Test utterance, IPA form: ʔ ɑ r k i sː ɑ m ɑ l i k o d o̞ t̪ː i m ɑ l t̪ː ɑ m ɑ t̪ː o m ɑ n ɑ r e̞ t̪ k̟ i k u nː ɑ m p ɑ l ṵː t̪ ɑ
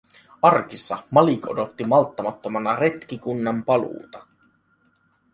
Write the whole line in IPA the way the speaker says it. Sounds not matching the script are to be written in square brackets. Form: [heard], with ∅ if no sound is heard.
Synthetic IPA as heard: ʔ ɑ r k i sː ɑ m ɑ l i k o d o̞ t̪ː i m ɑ l t̪ː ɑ m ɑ t̪ː o m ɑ n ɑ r e̞ t̪ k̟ i k u nː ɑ m p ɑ l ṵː t̪ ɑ